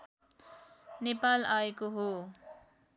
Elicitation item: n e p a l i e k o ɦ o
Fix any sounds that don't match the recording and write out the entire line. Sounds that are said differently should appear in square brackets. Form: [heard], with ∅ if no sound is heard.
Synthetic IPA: n e p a l [a] e k o ɦ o